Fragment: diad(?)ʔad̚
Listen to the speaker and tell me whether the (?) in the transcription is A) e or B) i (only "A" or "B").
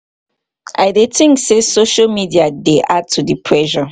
A